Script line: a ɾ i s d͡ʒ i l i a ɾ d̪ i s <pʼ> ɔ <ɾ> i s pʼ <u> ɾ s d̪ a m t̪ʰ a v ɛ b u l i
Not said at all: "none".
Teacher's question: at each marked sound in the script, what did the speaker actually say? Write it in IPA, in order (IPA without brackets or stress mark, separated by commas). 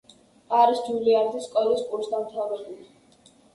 kʼ, l, u